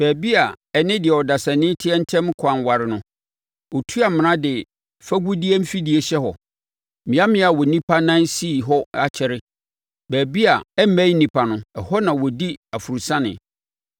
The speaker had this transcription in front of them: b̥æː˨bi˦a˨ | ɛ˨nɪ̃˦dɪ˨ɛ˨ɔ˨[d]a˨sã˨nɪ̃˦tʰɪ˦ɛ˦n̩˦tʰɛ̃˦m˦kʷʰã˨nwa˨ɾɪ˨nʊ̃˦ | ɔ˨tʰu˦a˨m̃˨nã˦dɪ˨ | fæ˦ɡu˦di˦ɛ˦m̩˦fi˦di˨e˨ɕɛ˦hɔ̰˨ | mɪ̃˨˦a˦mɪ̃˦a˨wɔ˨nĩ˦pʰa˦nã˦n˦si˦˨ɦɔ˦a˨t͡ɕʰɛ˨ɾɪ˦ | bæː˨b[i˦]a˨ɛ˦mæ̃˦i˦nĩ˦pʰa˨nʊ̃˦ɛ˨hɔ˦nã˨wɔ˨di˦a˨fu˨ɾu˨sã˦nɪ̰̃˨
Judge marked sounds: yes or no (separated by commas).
yes, yes